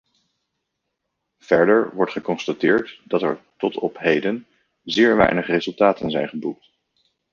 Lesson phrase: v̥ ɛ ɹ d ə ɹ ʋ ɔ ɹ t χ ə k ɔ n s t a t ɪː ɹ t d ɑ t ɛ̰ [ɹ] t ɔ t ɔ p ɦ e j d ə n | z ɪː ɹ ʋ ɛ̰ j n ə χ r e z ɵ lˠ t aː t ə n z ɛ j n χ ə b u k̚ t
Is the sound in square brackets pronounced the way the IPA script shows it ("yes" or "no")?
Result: yes